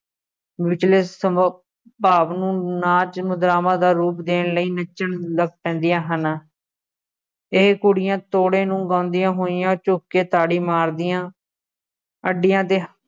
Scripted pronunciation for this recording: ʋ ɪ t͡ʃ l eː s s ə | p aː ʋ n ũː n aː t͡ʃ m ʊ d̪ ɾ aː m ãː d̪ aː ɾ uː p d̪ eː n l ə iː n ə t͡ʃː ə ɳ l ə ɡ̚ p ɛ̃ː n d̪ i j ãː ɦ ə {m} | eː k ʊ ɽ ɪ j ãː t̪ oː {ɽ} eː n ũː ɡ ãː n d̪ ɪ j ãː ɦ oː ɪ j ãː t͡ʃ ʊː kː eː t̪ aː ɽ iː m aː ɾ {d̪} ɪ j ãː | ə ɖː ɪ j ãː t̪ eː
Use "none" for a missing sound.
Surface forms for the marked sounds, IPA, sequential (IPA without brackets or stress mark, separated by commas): n, ɽ, d̪